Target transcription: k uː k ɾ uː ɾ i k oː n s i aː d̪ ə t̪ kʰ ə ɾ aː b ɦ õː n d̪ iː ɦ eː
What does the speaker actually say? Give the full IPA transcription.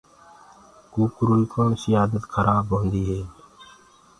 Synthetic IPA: k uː k ɾ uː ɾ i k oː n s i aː d̪ ə t̪ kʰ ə ɾ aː b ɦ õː n d̪ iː ɦ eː